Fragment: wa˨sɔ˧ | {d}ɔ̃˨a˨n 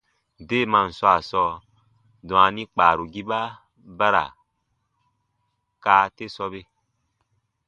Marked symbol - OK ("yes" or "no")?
yes